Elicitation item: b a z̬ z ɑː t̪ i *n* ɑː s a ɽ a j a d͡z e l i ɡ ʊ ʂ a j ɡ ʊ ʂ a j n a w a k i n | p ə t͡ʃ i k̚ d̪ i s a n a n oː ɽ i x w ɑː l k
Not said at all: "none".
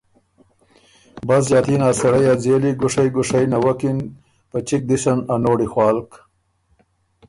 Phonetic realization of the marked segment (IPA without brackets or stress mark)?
n